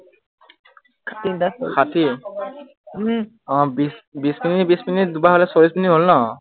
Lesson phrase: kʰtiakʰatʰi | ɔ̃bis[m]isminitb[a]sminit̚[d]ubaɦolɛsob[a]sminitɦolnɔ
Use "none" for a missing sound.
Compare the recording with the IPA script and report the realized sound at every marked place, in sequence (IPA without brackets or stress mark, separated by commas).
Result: b, i, d, i